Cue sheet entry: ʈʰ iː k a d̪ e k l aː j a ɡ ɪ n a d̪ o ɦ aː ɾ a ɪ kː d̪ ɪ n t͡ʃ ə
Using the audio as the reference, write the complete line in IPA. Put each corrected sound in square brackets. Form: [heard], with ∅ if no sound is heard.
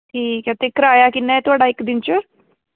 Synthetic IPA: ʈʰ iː k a [t̪] e k [ɾ] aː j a [k] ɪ n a [t̪] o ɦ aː [ɽ] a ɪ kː d̪ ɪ n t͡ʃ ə